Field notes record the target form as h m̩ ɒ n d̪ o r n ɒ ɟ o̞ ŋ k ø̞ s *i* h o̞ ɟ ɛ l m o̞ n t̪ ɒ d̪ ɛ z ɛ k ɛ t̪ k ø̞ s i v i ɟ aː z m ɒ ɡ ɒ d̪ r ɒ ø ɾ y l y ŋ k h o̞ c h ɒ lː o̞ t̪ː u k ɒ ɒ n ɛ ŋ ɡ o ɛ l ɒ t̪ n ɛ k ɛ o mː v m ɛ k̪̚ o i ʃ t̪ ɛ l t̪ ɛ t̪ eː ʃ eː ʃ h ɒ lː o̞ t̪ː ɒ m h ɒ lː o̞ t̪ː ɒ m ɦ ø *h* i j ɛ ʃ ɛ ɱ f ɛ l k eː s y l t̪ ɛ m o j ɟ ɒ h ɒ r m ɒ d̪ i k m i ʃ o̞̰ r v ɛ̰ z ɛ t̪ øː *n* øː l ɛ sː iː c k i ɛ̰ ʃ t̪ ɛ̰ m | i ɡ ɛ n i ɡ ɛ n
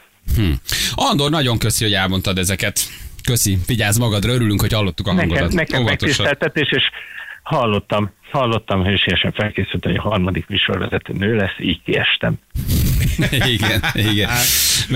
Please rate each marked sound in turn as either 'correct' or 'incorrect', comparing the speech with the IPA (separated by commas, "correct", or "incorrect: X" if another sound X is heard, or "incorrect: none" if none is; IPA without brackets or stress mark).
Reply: correct, incorrect: ʃ, correct